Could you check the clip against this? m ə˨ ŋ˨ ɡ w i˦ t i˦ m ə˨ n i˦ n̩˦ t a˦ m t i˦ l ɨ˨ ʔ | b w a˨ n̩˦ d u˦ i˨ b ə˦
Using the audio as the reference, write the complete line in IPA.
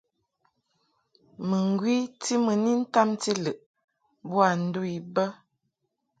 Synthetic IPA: m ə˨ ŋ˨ ɡ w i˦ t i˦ m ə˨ n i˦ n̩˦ t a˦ m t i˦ l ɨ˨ ʔ | b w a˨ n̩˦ d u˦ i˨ b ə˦